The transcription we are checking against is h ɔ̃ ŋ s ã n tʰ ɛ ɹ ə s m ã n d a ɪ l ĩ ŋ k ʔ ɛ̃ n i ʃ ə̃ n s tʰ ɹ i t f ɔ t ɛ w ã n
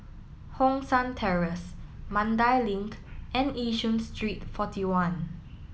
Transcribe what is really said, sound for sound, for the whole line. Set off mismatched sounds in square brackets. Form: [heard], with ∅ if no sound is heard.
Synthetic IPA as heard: h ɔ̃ ŋ s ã n tʰ ɛ ɹ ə s m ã n d a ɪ l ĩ ŋ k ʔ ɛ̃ n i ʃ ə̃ n s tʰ ɹ i t f ɔ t [i] w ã n